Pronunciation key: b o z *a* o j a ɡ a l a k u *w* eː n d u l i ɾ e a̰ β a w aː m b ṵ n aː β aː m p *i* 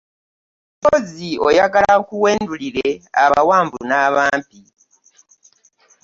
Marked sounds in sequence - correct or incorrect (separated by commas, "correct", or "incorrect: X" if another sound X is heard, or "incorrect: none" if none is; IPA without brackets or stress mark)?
incorrect: i, correct, correct